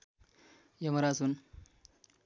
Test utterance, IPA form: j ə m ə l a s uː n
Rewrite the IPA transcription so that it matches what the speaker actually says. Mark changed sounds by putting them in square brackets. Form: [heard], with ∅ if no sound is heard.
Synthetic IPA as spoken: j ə m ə [ɾ] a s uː n

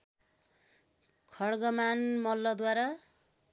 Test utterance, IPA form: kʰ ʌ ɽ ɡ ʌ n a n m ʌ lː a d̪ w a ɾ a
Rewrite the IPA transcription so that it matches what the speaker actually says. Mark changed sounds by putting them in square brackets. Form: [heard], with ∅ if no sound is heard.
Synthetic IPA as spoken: kʰ ʌ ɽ ɡ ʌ [m] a n m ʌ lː [ʌ] d̪ w a ɾ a

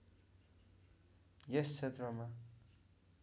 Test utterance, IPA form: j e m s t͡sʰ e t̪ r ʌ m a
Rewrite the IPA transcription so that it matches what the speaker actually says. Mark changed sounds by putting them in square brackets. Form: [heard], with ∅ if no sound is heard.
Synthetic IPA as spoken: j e [∅] s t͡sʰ e t̪ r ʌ m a

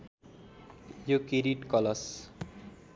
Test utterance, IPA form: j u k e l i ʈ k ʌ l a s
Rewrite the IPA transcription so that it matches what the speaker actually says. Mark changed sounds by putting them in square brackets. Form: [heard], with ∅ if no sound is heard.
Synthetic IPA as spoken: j [o] k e [ɾ] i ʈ k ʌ l [ʌ] s

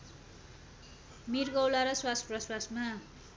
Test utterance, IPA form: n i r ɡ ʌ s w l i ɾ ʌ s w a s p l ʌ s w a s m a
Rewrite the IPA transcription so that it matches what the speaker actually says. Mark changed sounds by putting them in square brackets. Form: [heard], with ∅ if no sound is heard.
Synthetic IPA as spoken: [m] i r ɡ ʌ [∅] w l [a] ɾ ʌ s w a s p [r] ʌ s w a s m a

